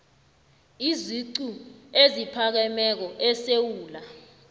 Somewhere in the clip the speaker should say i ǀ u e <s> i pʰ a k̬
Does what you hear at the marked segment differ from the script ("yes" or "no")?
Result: yes